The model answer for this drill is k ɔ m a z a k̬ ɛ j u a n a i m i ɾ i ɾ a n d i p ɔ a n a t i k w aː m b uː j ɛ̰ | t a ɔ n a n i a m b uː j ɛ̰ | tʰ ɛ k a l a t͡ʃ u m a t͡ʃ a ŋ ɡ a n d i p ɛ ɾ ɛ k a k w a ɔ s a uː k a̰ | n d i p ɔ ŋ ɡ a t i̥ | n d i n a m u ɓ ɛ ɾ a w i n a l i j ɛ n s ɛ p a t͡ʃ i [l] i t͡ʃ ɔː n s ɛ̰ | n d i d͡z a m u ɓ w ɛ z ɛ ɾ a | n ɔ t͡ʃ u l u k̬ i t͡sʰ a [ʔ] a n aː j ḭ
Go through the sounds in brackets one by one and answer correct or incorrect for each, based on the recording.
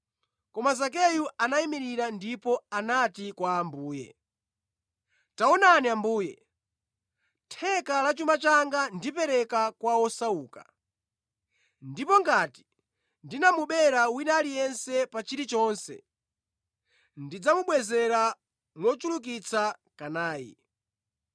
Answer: incorrect: ɾ, incorrect: k

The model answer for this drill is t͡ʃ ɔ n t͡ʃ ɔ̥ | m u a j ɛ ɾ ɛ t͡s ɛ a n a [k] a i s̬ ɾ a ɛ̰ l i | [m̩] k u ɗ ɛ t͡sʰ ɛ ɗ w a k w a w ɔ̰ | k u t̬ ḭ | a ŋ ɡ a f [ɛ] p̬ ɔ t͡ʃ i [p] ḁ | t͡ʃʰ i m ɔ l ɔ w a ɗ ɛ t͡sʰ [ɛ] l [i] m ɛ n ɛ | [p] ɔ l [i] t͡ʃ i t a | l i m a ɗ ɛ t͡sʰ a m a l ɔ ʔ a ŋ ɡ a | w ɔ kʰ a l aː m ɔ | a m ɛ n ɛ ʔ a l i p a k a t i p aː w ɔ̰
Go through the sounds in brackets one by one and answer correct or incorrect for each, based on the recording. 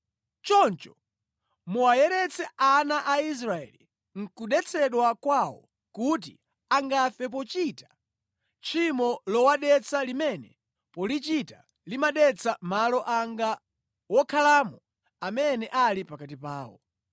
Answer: incorrect: ʔ, incorrect: ŋ̩, correct, incorrect: t, incorrect: a, correct, correct, correct

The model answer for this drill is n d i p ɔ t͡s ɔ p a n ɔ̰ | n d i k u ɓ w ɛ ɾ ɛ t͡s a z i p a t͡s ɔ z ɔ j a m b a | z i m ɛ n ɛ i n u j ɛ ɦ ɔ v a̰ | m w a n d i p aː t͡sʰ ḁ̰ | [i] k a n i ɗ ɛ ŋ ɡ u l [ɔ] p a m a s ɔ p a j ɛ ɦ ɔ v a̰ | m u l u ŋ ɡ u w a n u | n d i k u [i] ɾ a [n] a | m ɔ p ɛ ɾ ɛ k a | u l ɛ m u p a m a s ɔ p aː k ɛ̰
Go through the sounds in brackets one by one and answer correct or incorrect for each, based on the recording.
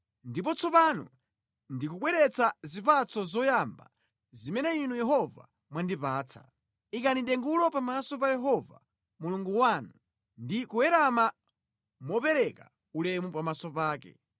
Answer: correct, correct, incorrect: ɛ, incorrect: m

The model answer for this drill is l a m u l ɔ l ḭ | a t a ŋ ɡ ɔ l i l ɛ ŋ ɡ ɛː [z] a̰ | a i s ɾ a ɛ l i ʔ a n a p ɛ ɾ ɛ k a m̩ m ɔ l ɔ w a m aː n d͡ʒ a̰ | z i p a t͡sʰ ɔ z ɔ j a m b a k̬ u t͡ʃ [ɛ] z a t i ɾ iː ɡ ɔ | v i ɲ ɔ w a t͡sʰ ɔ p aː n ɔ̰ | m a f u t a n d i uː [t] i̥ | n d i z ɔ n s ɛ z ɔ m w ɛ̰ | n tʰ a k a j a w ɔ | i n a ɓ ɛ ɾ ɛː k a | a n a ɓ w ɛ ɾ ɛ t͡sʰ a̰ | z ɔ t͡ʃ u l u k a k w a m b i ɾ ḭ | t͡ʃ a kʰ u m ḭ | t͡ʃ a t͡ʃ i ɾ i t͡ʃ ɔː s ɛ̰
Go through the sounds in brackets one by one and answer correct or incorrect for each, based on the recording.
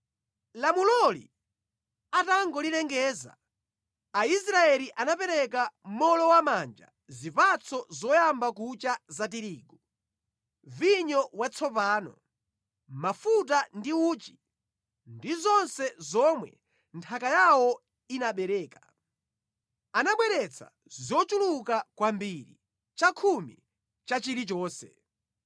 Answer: correct, incorrect: a, incorrect: t͡ʃ

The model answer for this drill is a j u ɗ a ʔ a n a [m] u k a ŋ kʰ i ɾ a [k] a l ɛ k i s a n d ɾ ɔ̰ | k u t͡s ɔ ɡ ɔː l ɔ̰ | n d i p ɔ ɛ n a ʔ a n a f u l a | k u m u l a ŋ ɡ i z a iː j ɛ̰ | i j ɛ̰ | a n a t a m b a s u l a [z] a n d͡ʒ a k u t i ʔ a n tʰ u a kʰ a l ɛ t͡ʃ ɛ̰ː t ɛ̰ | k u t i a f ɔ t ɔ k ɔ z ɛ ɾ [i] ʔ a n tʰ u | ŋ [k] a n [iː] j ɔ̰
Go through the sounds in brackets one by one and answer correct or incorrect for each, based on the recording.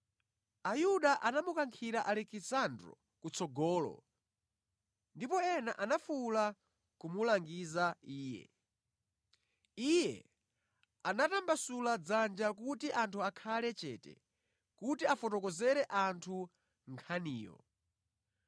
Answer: correct, incorrect: ʔ, incorrect: d͡z, incorrect: ɛ, incorrect: kʰ, correct

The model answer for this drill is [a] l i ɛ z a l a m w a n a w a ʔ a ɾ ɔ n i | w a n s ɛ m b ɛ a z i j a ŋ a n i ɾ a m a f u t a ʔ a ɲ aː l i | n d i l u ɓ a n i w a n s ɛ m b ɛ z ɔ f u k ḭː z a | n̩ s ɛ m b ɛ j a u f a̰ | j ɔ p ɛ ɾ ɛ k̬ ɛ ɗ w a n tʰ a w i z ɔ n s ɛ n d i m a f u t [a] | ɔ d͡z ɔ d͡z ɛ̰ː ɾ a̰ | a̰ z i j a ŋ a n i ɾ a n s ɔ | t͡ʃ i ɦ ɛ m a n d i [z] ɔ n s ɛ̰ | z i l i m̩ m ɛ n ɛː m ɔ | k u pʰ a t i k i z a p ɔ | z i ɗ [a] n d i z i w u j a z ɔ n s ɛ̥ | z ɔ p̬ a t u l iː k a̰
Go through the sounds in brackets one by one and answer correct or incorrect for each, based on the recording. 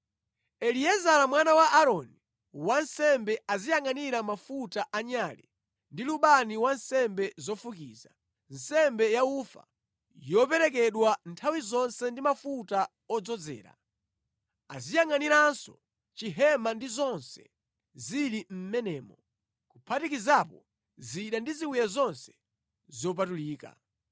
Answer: incorrect: ɛ, correct, correct, correct

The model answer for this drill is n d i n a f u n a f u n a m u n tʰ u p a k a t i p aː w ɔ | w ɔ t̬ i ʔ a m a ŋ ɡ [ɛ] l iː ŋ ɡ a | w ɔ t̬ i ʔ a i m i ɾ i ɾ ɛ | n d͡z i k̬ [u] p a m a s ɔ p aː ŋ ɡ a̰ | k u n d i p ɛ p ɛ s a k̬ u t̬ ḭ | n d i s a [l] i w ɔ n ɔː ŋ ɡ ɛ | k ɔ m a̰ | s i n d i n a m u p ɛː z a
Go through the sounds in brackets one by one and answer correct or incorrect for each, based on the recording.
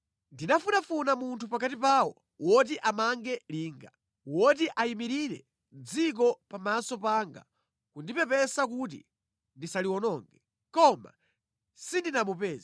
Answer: correct, incorrect: ɔ, correct

